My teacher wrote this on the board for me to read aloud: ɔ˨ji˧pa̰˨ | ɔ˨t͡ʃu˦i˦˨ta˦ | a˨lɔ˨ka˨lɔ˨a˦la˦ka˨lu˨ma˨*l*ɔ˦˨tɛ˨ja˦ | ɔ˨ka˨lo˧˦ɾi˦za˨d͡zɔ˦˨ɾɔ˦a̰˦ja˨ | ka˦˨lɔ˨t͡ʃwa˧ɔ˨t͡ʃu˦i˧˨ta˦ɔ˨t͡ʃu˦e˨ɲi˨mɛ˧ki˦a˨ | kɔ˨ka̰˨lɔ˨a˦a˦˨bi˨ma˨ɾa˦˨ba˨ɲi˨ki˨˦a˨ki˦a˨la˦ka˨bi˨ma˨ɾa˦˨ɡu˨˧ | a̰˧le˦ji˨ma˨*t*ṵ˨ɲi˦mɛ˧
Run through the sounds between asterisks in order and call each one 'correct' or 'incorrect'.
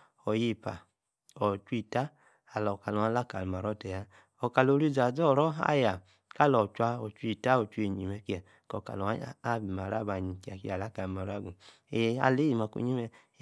incorrect, incorrect

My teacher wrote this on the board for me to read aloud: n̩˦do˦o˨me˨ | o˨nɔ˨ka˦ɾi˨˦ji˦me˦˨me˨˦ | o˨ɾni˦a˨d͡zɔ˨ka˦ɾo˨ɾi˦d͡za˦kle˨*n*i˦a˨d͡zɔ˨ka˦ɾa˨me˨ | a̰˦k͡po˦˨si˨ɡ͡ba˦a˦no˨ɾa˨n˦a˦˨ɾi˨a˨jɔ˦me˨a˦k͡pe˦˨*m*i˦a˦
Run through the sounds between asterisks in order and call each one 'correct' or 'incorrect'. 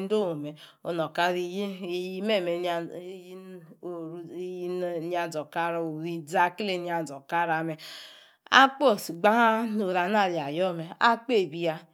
correct, incorrect

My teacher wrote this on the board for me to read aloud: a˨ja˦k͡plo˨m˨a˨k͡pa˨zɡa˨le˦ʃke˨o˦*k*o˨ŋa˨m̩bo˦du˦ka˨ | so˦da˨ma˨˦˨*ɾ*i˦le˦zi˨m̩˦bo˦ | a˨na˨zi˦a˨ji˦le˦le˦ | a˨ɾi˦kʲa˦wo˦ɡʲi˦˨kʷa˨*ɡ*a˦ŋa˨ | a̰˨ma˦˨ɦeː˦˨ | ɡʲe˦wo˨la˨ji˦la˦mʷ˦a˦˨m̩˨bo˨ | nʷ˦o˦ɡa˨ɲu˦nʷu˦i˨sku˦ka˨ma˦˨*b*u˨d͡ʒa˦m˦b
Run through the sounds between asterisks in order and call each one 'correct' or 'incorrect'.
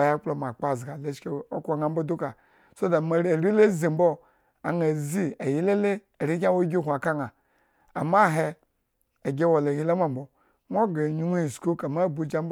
correct, correct, incorrect, correct

